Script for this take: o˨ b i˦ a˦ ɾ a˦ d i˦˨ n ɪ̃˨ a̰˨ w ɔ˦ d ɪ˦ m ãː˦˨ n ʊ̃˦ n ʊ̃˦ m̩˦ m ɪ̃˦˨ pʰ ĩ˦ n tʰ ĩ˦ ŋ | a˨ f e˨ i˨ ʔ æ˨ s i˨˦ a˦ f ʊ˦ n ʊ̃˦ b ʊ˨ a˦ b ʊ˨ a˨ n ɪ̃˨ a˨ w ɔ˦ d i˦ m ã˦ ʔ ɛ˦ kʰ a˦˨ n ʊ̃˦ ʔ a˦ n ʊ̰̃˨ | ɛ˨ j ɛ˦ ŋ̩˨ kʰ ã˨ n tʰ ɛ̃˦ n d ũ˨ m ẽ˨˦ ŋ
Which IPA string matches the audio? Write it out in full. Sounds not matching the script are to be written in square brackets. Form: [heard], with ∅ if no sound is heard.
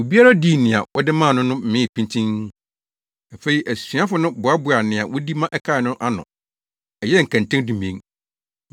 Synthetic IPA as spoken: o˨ b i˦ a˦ ɾ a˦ d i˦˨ n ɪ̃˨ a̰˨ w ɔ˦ d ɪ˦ m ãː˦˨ n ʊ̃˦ n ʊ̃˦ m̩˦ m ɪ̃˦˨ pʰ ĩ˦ n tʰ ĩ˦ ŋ | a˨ f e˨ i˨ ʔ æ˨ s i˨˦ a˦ f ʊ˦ n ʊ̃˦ b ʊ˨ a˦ b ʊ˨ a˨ n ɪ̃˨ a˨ w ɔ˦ d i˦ m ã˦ ʔ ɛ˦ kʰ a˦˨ n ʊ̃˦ ʔ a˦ n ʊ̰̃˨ | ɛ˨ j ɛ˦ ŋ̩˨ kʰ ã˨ n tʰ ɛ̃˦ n d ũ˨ m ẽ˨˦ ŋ

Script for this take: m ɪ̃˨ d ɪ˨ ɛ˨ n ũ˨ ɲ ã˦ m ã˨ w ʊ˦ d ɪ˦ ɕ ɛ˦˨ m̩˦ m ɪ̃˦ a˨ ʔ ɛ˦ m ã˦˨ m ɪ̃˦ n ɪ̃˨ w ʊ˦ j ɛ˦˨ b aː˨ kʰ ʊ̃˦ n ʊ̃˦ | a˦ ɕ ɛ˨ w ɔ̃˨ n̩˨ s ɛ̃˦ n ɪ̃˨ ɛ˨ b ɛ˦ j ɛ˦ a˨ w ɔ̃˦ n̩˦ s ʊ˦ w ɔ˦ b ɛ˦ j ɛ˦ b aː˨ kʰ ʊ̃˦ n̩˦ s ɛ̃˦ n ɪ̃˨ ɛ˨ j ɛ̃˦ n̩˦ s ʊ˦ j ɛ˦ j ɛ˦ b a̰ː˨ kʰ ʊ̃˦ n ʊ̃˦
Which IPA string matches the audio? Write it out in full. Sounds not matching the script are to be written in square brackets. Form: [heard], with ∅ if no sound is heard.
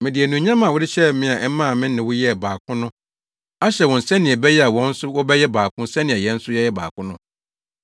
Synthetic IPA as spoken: m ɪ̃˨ d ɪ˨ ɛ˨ n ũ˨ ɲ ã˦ m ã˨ w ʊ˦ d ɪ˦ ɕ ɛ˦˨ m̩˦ m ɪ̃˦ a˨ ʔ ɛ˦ m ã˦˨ m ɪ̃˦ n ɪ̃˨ w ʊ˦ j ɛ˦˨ b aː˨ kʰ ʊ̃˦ n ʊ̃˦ | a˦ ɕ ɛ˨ w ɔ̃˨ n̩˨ s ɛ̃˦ n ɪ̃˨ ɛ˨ b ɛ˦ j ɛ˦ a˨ w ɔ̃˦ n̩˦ s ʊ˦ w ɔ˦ b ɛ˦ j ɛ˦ b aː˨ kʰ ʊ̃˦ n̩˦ s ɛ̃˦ n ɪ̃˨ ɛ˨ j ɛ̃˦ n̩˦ s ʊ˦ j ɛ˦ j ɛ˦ b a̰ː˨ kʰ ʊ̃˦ n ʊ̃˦

